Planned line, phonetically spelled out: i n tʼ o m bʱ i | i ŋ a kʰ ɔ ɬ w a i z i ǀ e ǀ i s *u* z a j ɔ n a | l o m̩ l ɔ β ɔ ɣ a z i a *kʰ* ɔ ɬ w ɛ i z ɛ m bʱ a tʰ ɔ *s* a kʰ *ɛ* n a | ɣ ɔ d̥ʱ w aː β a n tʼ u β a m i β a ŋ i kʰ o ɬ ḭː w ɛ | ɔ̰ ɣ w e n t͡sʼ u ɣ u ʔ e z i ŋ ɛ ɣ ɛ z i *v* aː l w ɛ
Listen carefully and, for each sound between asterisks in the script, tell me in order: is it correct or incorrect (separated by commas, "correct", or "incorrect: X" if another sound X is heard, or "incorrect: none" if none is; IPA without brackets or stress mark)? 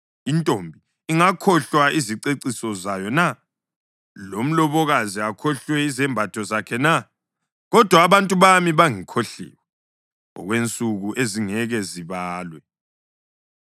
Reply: incorrect: ɔ, correct, incorrect: z, correct, incorrect: β